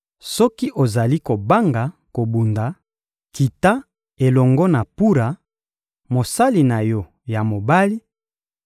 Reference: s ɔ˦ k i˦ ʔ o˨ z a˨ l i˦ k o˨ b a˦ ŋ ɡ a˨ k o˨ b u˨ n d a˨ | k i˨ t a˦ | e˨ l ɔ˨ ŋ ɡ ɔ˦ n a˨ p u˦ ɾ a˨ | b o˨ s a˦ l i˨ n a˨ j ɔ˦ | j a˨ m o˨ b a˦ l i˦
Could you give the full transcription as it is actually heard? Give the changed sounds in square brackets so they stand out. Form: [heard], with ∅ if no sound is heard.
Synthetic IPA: s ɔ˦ k i˦ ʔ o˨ z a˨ l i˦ k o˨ b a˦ ŋ ɡ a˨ k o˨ b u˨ n d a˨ | k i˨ t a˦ | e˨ l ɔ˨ ŋ ɡ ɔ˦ n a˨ p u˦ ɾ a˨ | [m] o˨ s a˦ l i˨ n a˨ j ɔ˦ | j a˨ m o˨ b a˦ l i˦